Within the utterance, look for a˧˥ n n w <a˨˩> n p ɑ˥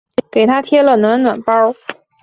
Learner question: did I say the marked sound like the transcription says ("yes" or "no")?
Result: yes